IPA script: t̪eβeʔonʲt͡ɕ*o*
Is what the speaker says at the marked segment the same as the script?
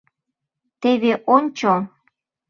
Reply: yes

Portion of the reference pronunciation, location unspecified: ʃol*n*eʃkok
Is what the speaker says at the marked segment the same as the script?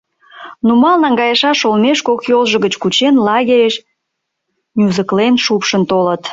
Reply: no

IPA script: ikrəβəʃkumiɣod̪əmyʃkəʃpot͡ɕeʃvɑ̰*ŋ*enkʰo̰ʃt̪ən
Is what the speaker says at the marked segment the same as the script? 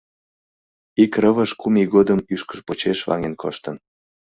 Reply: yes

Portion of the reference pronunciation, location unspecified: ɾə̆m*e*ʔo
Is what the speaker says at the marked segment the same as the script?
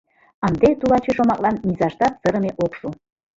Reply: yes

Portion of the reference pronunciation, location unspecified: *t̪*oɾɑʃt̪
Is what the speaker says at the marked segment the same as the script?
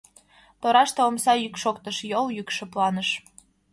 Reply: yes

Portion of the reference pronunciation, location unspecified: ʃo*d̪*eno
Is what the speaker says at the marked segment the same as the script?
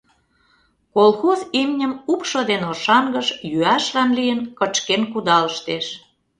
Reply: yes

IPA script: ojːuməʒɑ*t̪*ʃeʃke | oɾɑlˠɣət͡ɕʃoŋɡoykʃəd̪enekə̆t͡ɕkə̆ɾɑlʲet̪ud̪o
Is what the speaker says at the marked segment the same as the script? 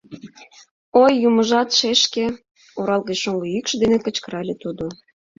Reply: yes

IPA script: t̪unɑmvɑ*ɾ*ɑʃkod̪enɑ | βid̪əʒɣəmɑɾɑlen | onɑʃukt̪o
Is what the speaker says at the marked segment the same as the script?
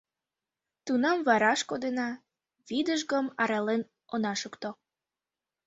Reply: yes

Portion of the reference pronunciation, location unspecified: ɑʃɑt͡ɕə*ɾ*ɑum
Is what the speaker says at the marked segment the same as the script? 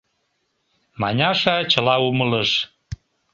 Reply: no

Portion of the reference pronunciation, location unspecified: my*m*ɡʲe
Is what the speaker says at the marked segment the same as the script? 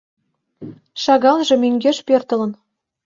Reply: no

